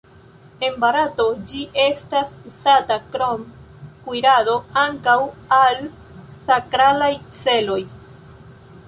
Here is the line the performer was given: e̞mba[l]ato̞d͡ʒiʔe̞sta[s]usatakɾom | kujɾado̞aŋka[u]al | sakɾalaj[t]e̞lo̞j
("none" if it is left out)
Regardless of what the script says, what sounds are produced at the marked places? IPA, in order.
ɾ, s, w, t͡s

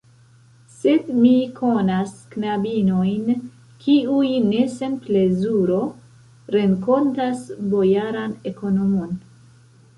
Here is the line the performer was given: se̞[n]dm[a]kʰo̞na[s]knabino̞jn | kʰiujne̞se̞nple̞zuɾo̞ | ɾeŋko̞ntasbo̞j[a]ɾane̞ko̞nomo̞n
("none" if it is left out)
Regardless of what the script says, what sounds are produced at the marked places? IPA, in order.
none, i, s, a

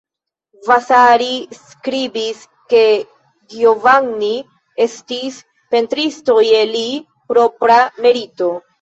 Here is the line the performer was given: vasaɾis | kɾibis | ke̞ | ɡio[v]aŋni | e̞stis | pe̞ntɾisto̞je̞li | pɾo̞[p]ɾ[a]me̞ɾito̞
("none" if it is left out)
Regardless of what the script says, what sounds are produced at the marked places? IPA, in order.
v, p, a

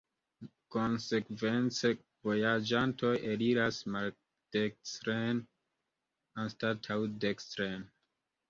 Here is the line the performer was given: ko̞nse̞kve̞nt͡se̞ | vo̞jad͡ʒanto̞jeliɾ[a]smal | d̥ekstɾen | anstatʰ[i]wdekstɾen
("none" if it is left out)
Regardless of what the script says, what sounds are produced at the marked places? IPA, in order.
a, a

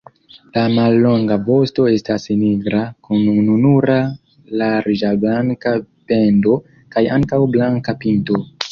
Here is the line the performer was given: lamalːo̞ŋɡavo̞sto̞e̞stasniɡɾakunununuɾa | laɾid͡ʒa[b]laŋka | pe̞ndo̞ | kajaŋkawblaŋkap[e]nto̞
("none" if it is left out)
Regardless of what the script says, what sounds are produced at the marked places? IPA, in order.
b, i

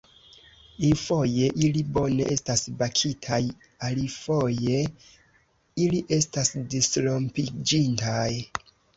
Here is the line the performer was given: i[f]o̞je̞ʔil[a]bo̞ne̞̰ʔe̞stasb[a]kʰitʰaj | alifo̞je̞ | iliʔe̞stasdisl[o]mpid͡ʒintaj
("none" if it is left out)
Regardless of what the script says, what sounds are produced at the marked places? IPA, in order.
f, i, a, o

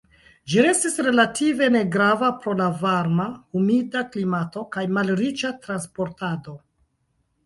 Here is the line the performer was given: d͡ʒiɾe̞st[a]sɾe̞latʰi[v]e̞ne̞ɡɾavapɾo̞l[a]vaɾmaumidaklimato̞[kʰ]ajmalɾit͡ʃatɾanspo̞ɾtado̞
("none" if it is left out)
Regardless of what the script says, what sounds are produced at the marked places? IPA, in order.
i, v, a, k

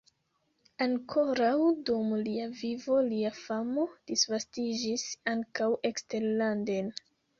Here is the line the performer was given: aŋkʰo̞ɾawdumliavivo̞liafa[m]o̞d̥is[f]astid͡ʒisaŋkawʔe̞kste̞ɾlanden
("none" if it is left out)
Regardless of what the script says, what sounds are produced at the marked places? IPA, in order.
m, v

